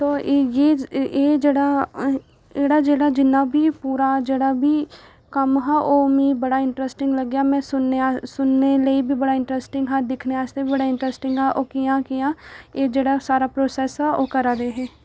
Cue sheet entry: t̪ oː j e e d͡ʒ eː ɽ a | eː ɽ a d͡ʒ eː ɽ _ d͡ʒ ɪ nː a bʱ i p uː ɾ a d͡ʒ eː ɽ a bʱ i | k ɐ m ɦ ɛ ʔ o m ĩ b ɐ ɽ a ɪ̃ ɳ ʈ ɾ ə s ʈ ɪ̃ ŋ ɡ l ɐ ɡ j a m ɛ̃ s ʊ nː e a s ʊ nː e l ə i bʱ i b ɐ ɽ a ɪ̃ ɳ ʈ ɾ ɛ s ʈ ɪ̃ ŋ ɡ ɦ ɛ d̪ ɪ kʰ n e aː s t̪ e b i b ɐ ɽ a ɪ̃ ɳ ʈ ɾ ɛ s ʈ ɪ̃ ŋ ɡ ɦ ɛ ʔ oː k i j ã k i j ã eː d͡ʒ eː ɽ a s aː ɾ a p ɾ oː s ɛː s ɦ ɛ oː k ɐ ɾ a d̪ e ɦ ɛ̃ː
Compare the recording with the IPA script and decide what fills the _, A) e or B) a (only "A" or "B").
B